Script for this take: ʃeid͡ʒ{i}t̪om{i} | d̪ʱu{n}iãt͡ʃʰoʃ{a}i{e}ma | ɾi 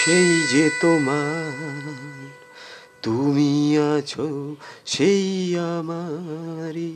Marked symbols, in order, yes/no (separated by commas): no, no, no, no, no